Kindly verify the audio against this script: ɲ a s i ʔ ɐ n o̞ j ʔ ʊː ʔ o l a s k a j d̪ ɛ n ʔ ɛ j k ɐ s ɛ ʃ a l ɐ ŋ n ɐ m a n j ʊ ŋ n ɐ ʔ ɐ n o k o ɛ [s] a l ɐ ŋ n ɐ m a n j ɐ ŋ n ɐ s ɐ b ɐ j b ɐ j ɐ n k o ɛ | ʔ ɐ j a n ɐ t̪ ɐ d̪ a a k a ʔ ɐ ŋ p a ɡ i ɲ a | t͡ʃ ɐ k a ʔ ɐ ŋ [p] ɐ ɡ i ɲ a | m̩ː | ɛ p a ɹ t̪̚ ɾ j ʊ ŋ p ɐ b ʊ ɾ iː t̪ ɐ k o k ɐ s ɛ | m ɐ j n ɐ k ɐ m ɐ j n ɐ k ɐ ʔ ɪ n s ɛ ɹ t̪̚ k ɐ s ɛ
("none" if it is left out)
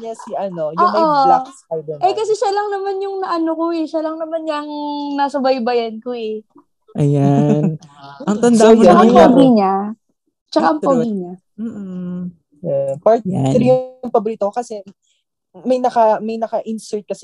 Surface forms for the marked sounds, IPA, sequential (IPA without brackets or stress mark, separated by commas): ʃ, p